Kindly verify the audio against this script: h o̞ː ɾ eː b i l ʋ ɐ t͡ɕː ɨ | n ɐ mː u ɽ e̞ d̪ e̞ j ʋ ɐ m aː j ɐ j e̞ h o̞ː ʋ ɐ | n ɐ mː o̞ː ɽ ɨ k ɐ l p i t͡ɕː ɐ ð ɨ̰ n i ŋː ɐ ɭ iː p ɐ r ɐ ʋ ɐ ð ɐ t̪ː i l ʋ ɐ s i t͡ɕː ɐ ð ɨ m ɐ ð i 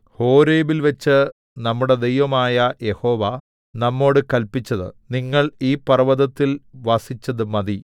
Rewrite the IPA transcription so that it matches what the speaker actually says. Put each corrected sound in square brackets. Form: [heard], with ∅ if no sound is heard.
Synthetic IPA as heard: h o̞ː ɾ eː b i l ʋ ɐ t͡ɕː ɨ | n ɐ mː u ɽ e̞ d̪ e̞ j ʋ ɐ m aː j ɐ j e̞ h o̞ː ʋ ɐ | n ɐ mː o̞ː ɽ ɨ k ɐ l p i t͡ɕː ɐ ð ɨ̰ n i ŋː ɐ ɭ iː p ɐ r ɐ ʋ ɐ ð ɐ t̪ː i l ʋ ɐ s i t͡ɕː ɐ ð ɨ m ɐ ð i